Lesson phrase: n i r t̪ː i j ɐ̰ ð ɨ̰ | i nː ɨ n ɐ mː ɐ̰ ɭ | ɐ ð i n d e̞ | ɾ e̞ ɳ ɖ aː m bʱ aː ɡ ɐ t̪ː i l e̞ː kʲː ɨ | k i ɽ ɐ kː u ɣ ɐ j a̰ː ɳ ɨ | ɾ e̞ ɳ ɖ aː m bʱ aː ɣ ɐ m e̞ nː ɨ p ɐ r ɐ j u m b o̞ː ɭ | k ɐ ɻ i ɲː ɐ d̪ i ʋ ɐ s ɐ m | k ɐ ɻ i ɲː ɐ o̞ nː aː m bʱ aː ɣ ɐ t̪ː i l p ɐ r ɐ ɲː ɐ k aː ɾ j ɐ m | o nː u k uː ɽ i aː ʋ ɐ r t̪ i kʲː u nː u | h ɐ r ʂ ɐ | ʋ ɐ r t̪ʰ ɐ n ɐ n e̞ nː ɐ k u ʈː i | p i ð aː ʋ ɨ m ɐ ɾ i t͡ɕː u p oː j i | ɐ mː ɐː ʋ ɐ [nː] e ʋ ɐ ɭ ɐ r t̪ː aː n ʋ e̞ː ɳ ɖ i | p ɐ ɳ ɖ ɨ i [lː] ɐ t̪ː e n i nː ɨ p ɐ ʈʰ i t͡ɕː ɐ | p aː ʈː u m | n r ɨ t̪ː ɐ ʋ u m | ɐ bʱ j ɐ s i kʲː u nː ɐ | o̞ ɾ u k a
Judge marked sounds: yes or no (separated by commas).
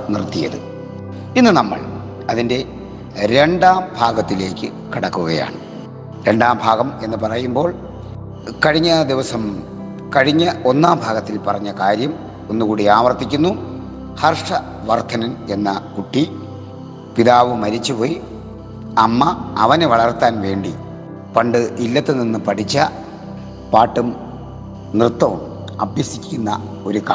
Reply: no, yes